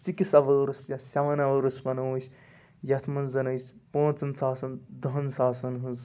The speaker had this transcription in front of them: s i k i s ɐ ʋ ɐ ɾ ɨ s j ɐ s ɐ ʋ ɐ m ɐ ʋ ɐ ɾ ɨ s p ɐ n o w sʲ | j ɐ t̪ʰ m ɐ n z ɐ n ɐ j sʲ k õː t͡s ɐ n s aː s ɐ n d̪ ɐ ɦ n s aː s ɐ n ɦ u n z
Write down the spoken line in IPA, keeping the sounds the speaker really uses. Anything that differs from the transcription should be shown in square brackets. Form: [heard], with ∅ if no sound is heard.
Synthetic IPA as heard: s i k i s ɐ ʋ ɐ ɾ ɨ s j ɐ s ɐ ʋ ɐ [n] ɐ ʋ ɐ ɾ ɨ s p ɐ n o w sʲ | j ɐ t̪ʰ m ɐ n z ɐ n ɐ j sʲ [p] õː t͡s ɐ n s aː s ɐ n d̪ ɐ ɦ n s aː s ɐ n ɦ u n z